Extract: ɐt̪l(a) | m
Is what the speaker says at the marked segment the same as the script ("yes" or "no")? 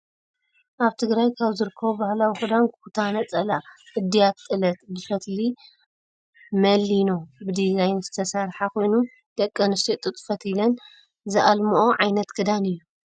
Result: no